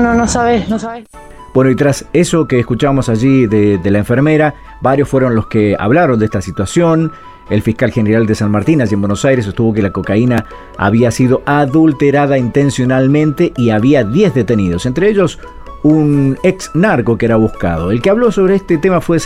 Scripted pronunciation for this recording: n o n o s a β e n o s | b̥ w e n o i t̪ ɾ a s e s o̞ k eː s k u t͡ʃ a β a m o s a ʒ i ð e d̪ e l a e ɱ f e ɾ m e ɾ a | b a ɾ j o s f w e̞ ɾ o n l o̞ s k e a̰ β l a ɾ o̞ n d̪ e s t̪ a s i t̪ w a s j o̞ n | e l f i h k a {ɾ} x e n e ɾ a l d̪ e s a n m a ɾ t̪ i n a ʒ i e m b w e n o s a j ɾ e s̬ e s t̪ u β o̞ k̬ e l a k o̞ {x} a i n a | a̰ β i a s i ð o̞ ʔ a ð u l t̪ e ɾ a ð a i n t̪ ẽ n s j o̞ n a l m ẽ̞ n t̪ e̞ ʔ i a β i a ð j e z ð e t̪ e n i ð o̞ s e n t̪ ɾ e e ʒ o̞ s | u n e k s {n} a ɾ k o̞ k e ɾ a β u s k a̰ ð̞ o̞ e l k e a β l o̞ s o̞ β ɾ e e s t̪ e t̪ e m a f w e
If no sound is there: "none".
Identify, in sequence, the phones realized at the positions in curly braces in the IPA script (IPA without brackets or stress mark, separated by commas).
l, k, n